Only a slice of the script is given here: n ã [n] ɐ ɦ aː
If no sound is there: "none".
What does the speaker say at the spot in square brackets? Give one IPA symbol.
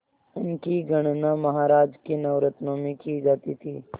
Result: m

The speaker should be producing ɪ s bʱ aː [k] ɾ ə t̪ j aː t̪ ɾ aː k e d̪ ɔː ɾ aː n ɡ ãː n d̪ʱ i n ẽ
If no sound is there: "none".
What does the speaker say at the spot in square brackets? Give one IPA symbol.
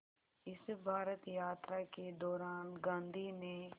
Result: none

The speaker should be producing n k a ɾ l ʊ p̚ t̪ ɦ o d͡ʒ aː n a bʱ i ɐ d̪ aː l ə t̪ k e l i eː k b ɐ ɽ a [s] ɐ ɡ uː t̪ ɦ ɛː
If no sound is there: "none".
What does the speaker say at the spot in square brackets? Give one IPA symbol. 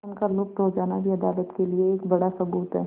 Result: s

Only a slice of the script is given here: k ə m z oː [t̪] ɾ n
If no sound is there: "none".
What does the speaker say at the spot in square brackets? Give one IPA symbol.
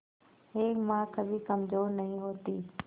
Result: none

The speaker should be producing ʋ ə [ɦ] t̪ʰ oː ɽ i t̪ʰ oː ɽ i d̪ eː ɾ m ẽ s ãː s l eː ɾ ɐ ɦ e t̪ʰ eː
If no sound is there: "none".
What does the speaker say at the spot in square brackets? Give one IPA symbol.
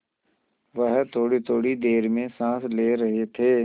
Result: ɦ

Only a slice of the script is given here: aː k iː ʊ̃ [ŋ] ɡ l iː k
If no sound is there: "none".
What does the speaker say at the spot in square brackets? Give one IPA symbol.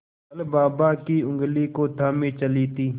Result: ŋ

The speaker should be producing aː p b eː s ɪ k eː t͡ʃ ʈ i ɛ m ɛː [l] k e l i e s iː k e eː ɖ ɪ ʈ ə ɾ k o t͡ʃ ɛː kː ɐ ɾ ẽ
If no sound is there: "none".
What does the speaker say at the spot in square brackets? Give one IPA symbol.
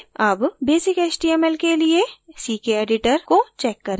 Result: l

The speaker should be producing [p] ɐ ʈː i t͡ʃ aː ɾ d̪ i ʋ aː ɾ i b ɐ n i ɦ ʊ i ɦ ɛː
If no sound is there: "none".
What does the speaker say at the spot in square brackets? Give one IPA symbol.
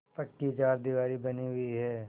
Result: p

